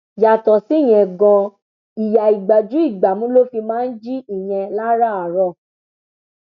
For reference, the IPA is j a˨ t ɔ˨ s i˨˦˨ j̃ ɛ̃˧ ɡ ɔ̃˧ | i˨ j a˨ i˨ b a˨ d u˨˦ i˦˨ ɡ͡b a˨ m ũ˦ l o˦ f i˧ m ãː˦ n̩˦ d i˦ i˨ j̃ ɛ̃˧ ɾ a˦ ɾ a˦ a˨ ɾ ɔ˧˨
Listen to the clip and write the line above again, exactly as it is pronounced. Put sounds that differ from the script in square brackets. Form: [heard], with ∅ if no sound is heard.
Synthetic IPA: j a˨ t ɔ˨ s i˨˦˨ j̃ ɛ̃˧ ɡ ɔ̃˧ | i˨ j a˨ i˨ [ɡ͡b] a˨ [d͡ʒ] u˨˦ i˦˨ ɡ͡b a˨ m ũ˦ l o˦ f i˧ m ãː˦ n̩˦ [d͡ʒ] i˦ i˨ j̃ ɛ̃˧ [l] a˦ ɾ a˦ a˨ ɾ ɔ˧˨